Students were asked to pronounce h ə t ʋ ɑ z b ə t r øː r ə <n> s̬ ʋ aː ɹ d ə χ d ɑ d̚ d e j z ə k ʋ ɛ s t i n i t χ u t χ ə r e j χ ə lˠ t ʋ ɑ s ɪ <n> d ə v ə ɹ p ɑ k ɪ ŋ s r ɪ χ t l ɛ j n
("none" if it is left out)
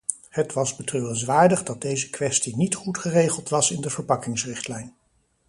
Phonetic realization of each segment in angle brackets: n, n

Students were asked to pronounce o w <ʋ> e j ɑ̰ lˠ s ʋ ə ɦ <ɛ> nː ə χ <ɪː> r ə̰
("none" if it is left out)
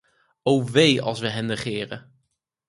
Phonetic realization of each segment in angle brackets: ʋ, ɛ, ɪː

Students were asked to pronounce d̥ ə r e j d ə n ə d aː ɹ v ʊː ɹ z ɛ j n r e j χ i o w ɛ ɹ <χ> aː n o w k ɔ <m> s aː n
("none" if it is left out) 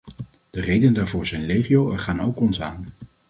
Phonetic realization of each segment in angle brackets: χ, n

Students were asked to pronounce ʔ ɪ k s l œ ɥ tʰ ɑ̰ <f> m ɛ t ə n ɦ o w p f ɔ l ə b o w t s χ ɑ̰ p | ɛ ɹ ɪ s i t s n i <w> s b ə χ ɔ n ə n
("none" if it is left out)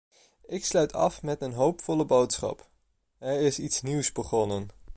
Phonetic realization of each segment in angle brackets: f, w

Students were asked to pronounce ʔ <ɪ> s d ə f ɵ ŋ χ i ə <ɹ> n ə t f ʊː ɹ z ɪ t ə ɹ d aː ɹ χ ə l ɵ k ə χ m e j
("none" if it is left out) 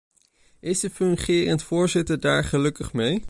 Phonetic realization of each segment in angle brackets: ɪ, none

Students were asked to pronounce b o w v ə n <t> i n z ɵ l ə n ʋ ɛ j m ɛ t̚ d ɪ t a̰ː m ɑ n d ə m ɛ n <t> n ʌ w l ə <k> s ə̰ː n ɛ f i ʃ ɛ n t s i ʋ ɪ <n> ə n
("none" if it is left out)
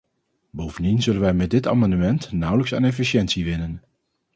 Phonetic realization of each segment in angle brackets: d, t, k, n

